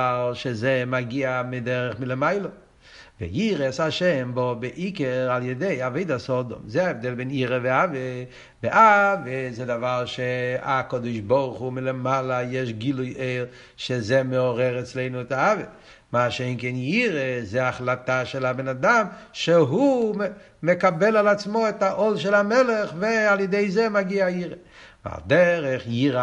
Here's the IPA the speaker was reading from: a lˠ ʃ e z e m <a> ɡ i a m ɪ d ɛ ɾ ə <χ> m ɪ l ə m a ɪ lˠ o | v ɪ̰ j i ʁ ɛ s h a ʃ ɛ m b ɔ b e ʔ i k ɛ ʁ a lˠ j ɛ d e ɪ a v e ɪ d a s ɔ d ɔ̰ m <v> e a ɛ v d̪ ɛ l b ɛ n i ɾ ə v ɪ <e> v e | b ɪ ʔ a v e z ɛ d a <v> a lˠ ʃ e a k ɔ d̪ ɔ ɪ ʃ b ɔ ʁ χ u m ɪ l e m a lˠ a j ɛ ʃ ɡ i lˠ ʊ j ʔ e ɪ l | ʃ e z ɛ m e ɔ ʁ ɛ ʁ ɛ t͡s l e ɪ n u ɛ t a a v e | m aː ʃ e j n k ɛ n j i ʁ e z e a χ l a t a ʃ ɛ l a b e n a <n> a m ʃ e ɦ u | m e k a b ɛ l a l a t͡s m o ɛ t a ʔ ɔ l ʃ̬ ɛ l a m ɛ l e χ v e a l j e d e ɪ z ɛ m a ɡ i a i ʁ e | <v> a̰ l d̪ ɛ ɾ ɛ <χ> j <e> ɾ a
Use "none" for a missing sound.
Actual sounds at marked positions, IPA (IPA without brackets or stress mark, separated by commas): a, χ, z, a, v, d, v, χ, i